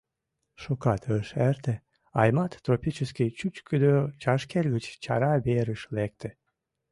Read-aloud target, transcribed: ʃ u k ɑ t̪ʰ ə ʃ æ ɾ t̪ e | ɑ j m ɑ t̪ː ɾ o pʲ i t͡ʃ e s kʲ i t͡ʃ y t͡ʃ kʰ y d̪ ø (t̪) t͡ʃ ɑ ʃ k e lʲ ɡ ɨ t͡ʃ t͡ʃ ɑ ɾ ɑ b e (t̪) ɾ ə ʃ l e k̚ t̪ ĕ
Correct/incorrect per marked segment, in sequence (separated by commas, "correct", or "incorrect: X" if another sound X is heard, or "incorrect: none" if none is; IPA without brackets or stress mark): incorrect: none, incorrect: none